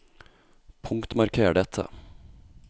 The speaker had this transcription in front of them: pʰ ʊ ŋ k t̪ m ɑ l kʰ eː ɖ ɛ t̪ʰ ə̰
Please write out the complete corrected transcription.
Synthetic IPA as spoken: pʰ ʊ ŋ k t̪ m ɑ ɾ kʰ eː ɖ ɛ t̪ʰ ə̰